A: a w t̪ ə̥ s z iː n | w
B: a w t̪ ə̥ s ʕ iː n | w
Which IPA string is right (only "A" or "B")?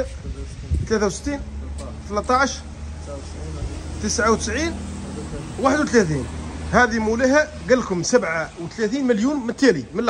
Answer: B